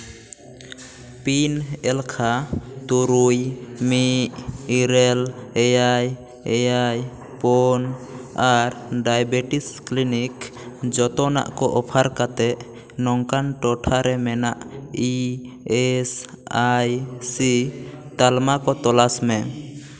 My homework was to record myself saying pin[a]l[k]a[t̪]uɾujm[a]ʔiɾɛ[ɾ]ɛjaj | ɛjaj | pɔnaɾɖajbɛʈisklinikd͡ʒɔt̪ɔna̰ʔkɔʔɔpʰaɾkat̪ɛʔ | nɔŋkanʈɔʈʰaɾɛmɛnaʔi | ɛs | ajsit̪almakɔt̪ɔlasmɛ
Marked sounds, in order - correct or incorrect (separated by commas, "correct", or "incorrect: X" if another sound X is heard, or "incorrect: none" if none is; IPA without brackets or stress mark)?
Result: incorrect: ɛ, incorrect: kʰ, correct, incorrect: i, incorrect: l